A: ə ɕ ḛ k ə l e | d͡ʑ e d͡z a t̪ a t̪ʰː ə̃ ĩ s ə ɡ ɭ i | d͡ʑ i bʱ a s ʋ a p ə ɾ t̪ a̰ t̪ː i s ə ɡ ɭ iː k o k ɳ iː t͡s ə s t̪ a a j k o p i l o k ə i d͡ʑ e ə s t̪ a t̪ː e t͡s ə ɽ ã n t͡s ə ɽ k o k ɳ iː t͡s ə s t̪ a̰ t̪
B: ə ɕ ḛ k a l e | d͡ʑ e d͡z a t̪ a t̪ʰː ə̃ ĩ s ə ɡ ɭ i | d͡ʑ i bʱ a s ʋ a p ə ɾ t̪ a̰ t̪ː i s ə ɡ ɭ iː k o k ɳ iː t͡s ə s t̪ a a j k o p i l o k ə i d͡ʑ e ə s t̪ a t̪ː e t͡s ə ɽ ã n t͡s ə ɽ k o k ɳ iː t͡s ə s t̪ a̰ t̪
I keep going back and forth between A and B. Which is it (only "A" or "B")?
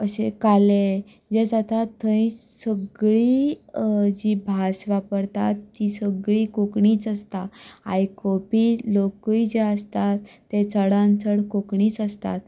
B